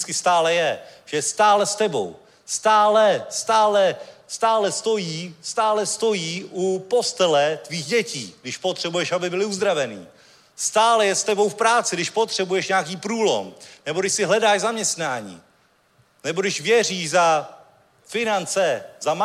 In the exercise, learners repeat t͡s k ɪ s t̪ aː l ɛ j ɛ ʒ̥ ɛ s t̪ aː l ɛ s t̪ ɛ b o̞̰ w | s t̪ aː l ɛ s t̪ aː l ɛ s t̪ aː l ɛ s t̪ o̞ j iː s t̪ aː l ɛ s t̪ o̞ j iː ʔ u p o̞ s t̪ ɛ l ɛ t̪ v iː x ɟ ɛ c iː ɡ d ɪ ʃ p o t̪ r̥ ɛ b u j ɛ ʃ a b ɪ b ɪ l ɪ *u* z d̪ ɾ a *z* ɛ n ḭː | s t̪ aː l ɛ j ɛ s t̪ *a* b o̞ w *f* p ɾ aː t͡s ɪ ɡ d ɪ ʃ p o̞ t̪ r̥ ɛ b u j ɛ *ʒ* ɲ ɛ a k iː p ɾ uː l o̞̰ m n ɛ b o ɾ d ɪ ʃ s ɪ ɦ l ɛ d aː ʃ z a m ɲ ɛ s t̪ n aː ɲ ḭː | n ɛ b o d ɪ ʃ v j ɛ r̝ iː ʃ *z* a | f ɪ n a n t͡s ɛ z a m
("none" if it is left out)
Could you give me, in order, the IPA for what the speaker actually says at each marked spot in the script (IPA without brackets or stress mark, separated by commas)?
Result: u, v, ɛ, f, ʃ, z